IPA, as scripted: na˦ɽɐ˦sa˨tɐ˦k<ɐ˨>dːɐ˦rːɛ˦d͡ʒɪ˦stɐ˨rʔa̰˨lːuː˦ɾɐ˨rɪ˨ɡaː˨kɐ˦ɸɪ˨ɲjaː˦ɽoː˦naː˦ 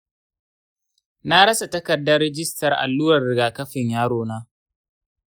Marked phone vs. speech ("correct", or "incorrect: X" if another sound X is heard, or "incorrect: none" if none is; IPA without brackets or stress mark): correct